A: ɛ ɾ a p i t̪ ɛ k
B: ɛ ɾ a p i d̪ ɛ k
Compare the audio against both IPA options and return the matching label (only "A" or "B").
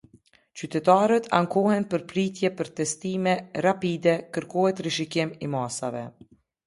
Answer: B